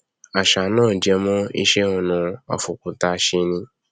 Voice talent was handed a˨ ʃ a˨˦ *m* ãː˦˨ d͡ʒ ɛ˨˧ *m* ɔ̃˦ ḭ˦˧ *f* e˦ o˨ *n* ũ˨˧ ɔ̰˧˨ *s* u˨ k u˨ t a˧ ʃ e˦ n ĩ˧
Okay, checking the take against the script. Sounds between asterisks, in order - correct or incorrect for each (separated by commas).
incorrect, correct, incorrect, correct, incorrect